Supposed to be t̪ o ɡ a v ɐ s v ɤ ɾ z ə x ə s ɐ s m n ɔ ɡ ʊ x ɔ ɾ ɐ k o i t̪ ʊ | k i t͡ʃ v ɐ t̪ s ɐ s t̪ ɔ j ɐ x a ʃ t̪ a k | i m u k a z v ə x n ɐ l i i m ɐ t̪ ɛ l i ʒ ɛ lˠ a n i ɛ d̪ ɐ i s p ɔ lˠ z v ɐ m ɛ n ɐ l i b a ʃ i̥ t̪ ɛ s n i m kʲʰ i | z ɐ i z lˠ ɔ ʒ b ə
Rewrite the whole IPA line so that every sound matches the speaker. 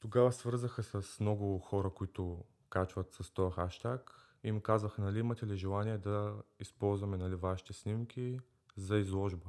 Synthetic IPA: t̪ o ɡ a v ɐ s v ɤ ɾ z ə x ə s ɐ s m n ɔ ɡ ʊ x ɔ ɾ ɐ k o i t̪ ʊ | k a t͡ʃ v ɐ t̪ s ɐ s t̪ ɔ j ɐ x a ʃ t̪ a k | i m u k a z v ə x n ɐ l i i m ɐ t̪ ɛ l i ʒ ɛ lˠ a n i ɛ d̪ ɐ i s p ɔ lˠ z v ɐ m ɛ n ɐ l i v a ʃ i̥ t̪ ɛ s n i m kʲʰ i | z ɐ i z lˠ ɔ ʒ b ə